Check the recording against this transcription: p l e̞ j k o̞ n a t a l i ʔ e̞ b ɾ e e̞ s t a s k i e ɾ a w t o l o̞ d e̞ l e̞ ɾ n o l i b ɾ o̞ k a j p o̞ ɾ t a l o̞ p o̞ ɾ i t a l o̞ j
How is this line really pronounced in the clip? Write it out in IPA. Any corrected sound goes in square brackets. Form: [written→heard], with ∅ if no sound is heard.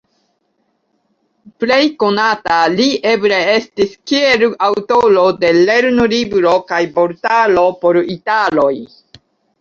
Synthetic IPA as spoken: p l e̞ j k o̞ n a t a l i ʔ e̞ b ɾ e e̞ s t [a→i] s k i e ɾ a w t o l o̞ d e̞ l e̞ ɾ n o l i b ɾ o̞ k a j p o̞ ɾ t a l o̞ p o̞ ɾ i t a l o̞ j